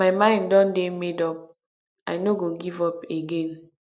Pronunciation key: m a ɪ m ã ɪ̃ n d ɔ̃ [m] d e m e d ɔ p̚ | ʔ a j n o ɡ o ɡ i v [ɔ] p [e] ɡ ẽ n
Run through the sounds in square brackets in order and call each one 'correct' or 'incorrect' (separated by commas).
incorrect, correct, correct